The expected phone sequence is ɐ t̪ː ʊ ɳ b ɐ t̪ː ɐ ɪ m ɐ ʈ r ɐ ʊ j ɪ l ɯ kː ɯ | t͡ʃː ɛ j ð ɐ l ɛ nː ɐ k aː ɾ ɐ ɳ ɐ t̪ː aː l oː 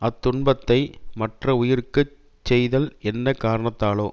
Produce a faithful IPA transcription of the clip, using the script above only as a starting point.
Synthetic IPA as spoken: ɐ t̪ː ʊ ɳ b ɐ t̪ː ɐ ɪ m ɐ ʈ r ɐ ʊ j ɪ ɾ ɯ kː ɯ | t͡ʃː ɛ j ð ɐ l ɛ nː ɐ k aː ɾ ɐ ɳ ɐ t̪ː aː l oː